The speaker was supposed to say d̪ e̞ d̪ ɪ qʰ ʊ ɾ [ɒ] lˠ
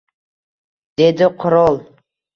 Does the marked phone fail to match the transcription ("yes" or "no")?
yes